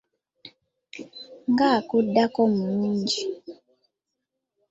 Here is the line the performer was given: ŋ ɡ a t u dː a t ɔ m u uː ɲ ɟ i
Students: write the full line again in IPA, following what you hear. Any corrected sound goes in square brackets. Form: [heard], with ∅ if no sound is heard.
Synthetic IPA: ŋ ɡ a [k] u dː a [k] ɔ m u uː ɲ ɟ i